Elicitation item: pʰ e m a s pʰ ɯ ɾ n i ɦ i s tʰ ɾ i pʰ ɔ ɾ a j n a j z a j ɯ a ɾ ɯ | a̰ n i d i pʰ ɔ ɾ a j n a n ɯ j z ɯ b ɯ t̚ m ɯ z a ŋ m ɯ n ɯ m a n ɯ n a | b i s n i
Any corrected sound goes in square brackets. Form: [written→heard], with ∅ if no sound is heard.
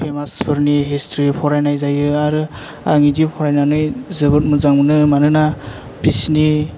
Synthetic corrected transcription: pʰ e m a s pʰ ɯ ɾ n i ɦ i s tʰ ɾ i pʰ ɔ ɾ a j n a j z a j ɯ a ɾ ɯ | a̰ [n→ŋ] i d i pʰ ɔ ɾ a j n a n ɯ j z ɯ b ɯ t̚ m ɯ z a ŋ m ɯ n ɯ m a n ɯ n a | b i s n i